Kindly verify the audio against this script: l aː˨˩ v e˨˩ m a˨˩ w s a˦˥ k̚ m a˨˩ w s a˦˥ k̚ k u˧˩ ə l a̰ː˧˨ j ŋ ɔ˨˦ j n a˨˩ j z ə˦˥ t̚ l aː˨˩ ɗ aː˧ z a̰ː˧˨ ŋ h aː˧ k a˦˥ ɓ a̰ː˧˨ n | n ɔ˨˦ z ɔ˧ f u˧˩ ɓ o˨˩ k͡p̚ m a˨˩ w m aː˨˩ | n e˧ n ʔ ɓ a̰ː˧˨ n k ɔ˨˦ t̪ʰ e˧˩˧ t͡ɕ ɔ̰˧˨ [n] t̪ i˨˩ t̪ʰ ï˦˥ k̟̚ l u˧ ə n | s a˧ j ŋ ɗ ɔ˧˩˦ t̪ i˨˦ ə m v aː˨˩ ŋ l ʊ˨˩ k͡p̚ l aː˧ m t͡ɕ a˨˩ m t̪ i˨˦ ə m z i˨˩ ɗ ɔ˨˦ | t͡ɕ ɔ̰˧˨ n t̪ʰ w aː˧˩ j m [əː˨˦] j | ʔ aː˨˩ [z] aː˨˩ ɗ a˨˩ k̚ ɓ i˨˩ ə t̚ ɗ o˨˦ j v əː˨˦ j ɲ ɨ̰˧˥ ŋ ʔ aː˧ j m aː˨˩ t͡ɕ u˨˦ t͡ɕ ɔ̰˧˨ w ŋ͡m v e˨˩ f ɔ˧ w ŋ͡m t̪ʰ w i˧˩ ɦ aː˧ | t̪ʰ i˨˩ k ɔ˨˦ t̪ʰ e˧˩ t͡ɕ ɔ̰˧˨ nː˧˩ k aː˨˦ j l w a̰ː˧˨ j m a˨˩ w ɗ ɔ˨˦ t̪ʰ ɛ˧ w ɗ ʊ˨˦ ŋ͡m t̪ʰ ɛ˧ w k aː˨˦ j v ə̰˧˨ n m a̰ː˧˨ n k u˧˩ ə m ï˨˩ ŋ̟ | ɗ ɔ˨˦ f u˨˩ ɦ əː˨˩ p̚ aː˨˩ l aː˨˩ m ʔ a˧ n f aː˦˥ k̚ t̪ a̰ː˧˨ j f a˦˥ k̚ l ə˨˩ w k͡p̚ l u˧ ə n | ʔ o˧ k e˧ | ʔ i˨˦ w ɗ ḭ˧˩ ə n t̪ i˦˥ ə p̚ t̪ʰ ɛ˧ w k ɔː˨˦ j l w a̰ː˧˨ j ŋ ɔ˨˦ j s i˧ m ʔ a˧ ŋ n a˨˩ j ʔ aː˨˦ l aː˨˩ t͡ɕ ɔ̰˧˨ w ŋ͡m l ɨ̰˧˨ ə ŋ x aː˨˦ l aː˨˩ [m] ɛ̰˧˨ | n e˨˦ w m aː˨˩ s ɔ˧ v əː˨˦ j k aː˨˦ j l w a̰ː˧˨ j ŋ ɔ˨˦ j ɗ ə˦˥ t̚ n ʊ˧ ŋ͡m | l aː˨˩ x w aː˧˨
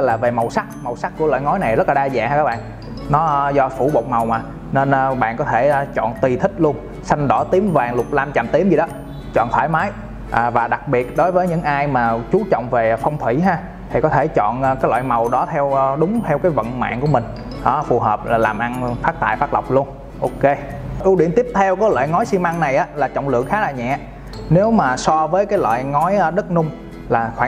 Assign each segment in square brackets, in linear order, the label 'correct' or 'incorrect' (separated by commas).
correct, incorrect, incorrect, incorrect